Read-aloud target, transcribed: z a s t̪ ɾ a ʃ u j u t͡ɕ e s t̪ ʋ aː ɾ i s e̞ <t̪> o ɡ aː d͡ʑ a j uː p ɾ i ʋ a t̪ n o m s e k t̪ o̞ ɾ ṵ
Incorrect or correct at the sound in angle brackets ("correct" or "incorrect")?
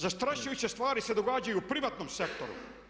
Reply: incorrect